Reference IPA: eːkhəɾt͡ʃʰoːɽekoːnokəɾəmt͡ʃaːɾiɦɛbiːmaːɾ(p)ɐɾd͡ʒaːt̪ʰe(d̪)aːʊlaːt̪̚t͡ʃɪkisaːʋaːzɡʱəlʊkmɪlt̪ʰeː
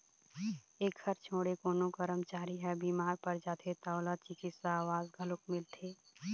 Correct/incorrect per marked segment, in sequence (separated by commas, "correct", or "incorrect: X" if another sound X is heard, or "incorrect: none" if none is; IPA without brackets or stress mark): correct, incorrect: t̪